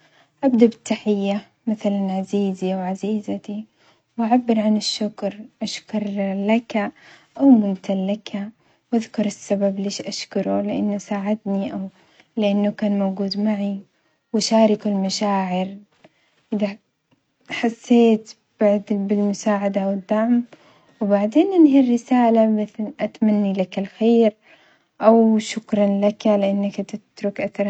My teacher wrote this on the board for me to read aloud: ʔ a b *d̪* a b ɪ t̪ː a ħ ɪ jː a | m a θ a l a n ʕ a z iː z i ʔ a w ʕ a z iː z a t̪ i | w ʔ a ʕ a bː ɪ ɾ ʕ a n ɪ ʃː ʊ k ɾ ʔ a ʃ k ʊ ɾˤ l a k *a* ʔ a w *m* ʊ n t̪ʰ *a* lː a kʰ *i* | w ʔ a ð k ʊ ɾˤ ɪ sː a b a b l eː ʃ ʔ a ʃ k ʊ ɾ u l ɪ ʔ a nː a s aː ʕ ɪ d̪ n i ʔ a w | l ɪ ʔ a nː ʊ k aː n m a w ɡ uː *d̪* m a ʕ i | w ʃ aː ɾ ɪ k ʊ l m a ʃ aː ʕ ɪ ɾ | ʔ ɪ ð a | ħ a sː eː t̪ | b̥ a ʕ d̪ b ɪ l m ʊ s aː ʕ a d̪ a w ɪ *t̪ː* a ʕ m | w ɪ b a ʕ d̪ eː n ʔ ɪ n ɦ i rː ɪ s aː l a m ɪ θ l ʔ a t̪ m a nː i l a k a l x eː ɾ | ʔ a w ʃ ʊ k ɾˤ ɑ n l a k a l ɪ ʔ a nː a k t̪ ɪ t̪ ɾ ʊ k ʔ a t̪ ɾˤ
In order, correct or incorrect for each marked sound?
correct, correct, correct, correct, incorrect, correct, incorrect

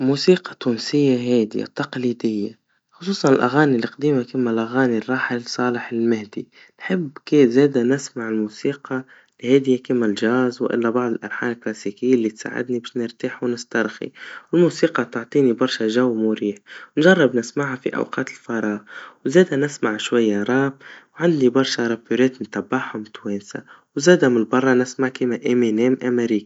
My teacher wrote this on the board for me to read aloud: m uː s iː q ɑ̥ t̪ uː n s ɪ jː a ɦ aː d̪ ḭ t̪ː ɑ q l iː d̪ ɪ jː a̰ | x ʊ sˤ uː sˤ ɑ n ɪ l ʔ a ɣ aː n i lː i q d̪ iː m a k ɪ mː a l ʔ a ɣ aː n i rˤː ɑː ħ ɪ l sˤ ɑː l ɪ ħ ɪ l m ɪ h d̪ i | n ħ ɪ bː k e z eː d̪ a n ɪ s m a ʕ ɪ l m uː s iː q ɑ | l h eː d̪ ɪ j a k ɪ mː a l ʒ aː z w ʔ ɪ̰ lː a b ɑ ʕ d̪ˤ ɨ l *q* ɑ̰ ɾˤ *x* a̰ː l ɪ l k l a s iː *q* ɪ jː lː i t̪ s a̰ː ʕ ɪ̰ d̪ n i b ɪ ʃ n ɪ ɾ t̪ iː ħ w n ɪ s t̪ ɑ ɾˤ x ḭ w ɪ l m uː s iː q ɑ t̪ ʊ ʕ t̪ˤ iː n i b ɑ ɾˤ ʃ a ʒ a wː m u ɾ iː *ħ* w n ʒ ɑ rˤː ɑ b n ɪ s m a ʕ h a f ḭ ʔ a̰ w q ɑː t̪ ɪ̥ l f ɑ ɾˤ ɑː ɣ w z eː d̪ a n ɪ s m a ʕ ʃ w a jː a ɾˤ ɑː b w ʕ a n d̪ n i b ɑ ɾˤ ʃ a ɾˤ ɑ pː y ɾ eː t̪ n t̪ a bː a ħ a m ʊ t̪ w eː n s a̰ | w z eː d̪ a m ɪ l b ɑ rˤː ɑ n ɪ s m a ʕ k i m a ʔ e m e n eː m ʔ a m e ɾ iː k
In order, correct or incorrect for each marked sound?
incorrect, incorrect, incorrect, correct

